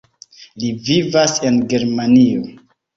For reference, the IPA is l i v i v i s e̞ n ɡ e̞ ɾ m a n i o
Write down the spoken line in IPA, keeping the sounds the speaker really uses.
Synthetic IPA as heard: l i v i v a s e̞ n ɡ e̞ ɾ m a n i o